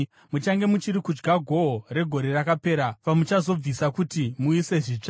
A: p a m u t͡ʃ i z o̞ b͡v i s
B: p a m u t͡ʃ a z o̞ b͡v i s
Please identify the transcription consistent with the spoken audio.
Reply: B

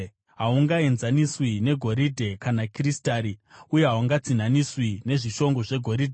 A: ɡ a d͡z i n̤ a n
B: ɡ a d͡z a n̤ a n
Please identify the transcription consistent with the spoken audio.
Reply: A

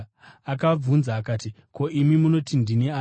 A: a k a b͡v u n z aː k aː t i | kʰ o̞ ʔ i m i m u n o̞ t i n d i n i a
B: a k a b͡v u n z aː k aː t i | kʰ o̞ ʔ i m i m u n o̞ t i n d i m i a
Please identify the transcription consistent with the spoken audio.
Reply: A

